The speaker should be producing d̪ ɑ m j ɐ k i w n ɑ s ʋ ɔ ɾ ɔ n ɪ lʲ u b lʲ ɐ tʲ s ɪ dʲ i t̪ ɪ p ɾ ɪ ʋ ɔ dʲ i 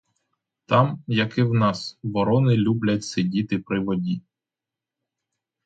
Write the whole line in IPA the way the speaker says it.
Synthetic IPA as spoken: t̪ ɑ m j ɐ k ɪ w n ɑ s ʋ ɔ ɾ ɔ n ɪ lʲ u b lʲ ɐ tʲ s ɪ dʲ i t̪ ɪ p ɾ ɪ ʋ ɔ dʲ i